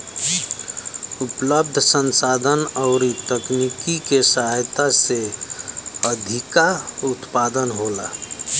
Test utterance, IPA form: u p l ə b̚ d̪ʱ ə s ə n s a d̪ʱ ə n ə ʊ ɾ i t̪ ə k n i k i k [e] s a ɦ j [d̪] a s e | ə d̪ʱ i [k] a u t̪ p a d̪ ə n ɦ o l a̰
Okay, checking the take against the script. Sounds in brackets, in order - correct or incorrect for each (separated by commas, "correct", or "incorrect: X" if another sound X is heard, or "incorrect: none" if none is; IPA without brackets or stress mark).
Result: correct, incorrect: t̪, correct